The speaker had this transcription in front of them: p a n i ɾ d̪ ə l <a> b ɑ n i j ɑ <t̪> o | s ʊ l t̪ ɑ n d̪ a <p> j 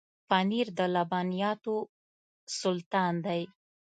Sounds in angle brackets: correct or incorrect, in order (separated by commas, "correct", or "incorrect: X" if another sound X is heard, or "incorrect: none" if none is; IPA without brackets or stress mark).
correct, correct, incorrect: none